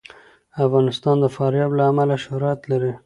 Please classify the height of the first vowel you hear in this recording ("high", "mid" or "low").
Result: low